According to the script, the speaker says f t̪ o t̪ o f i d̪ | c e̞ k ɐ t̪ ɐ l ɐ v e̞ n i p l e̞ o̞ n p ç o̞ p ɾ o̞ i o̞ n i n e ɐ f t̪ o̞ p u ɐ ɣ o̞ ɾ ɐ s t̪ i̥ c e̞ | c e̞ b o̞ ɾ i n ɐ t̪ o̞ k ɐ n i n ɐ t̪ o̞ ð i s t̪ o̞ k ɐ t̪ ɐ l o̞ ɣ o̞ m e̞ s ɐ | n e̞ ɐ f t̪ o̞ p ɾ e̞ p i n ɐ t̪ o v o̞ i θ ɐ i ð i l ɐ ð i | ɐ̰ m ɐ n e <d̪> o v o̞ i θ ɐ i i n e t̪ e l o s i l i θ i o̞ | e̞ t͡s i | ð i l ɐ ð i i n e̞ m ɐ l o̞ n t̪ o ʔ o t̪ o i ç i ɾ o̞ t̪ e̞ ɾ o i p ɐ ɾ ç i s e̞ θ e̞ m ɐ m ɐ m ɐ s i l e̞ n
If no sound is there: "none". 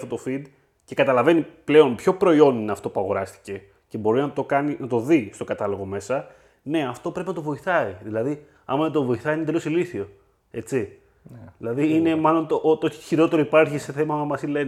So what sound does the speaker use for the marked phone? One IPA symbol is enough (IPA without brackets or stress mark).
t̪